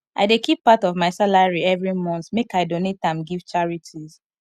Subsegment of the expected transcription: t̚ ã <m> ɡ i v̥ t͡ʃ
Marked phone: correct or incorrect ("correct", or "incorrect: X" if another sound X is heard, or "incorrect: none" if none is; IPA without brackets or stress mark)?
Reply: correct